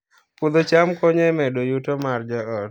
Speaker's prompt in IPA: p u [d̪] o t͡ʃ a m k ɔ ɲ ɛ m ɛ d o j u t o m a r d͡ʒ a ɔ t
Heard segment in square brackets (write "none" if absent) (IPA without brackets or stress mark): d̪